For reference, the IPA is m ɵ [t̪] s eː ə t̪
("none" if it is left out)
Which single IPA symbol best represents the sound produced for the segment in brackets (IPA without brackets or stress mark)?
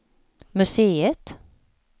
none